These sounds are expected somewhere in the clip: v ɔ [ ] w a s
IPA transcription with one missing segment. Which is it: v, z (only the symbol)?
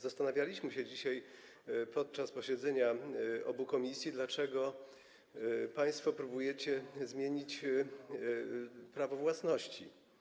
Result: v